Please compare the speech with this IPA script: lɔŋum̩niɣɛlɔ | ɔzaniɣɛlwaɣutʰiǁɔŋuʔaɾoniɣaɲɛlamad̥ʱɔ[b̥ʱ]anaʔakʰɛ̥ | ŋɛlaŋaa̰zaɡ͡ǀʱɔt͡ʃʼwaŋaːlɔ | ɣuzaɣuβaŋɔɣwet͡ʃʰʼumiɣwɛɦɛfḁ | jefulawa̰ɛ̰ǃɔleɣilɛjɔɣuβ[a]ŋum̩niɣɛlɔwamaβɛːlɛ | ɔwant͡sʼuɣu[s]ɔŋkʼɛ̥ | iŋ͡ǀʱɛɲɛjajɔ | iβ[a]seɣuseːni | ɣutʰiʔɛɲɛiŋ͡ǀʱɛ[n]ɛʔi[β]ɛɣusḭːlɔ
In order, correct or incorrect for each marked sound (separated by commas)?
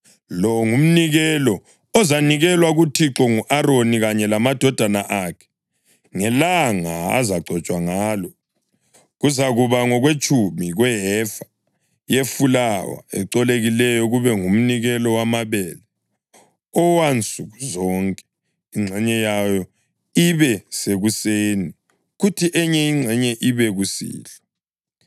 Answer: incorrect, incorrect, incorrect, incorrect, incorrect, correct